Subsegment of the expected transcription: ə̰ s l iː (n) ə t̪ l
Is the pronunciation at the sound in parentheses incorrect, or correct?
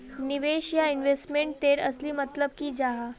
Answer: incorrect